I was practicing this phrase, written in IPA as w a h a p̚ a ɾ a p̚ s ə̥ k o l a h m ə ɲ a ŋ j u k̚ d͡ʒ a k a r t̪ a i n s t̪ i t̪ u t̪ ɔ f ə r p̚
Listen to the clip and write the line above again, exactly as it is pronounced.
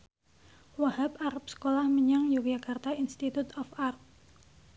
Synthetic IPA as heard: w a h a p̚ a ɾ a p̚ s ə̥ k o l a h m ə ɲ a ŋ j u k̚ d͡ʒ a k a r t̪ a i n s t̪ i t̪ u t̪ ɔ f a r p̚